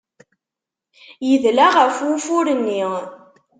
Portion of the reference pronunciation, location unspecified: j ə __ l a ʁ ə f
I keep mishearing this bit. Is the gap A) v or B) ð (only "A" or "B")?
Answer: B